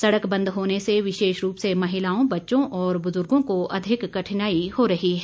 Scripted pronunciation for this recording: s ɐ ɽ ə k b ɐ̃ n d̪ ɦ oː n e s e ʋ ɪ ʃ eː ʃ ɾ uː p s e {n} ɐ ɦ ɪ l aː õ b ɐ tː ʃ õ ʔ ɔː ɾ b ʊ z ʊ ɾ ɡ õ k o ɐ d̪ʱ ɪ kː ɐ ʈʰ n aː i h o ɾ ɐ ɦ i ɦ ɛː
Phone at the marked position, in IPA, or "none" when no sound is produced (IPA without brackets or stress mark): m